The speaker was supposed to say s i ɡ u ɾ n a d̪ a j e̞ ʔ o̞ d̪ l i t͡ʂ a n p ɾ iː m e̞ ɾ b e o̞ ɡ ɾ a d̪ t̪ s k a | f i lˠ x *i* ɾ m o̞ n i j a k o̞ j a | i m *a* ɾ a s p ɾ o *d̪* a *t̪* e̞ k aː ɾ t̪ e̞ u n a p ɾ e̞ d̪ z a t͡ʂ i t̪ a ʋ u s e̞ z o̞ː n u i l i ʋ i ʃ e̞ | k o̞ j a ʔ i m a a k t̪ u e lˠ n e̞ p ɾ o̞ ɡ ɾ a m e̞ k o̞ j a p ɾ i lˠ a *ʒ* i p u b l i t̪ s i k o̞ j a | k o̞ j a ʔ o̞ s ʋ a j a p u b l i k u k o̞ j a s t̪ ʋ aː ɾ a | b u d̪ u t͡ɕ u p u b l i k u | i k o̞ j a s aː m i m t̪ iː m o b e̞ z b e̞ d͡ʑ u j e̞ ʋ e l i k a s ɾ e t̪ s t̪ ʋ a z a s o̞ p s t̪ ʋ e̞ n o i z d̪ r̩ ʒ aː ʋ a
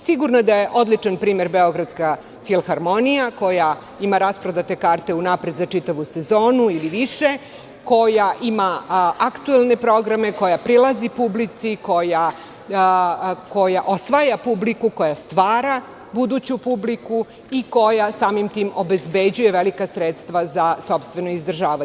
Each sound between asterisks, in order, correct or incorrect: incorrect, correct, correct, correct, incorrect

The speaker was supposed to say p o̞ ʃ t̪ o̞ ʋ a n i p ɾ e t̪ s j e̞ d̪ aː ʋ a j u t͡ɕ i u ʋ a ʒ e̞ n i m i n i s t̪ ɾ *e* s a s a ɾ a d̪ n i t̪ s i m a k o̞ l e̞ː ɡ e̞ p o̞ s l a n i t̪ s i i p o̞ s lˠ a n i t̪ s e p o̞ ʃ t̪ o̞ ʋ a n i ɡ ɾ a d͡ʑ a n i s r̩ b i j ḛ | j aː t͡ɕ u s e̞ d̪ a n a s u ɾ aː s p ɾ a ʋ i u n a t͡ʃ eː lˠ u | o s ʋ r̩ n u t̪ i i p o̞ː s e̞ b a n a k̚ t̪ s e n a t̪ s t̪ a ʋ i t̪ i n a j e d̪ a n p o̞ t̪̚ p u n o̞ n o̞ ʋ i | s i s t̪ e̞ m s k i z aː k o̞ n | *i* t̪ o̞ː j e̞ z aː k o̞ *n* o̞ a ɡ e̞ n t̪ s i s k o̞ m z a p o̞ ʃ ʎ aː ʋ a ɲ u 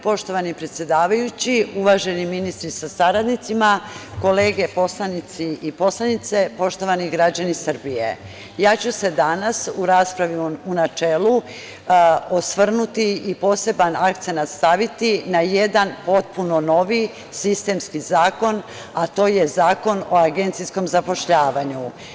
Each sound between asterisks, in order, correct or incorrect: incorrect, incorrect, correct

